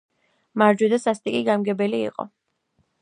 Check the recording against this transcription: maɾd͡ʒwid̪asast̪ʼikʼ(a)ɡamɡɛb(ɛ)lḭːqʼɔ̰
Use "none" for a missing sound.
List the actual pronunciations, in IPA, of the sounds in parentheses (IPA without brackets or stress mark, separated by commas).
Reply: i, ɛ